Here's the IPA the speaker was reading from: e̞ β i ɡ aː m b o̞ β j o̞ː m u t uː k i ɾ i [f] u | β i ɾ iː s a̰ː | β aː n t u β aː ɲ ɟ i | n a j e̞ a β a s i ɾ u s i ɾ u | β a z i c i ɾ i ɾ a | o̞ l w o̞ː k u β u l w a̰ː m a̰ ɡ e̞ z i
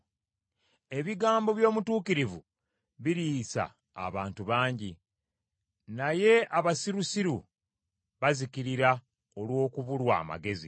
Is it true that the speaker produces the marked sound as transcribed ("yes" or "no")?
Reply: no